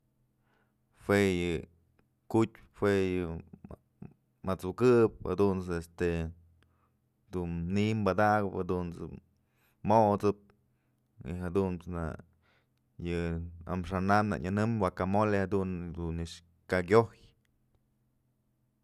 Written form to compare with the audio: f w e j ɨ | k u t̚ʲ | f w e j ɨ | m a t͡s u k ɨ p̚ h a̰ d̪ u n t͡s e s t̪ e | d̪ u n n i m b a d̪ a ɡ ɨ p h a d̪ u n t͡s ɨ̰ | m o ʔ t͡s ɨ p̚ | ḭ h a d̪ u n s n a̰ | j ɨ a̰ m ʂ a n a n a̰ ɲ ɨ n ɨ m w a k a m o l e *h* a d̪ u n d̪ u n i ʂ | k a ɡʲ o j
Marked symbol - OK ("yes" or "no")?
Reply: yes